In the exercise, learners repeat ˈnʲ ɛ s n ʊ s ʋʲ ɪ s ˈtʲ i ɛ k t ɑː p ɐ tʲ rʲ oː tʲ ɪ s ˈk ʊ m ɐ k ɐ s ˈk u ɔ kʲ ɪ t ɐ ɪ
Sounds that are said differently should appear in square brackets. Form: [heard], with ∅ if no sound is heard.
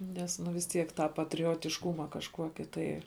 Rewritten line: ˈnʲ ɛ s n ʊ [∅] ʋʲ ɪ s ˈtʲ i ɛ k t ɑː p ɐ tʲ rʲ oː tʲ ɪ [ʃ] ˈk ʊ m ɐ k ɐ [ʃ] ˈk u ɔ kʲ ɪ t ɐ ɪ